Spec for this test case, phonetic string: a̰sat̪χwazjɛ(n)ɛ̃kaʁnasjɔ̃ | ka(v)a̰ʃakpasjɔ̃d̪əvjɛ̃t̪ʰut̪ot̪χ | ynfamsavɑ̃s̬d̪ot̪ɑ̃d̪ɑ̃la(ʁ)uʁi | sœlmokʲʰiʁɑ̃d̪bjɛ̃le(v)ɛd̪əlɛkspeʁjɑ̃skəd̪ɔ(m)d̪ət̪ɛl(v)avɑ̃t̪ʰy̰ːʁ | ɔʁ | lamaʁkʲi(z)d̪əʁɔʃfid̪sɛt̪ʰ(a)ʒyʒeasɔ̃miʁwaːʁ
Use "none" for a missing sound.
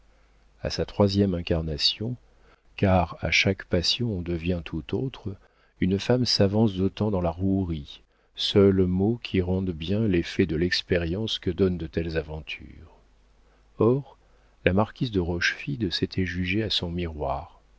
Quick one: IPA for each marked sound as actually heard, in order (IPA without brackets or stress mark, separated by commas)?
m, ʁ, ʁ, f, n, z, z, ɛ